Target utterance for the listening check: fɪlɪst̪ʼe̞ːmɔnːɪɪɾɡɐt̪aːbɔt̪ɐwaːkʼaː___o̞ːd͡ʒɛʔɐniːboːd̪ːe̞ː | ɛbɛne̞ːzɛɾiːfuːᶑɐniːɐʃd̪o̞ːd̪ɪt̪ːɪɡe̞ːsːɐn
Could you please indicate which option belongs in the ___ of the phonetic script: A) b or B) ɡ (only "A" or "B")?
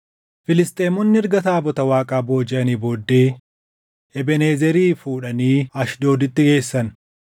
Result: A